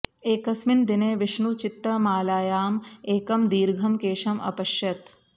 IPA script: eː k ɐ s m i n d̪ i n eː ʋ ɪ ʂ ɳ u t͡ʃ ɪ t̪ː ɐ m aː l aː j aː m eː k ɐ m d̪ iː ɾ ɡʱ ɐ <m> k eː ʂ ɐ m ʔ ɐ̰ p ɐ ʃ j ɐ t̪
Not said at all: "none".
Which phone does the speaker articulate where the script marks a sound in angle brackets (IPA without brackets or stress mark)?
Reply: m